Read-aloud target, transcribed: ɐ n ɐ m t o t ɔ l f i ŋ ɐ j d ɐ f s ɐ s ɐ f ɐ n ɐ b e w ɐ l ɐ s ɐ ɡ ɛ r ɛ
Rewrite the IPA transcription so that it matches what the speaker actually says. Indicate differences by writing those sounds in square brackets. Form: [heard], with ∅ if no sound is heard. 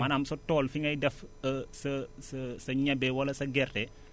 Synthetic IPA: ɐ n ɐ m [s] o t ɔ l f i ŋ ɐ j d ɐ f s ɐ s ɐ [s] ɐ [ɲ] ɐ b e w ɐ l ɐ s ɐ ɡ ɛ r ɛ